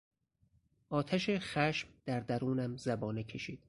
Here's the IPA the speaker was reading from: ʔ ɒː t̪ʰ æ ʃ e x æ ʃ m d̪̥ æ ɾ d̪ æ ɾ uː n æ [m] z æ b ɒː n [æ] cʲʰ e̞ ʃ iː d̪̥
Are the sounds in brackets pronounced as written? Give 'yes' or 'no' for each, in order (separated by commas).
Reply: yes, no